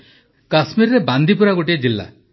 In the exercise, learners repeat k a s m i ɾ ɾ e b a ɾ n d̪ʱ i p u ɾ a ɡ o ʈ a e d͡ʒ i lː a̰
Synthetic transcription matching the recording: k a s m i ɾ ɾ e b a n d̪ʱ i p u ɾ a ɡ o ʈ i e d͡ʒ i lː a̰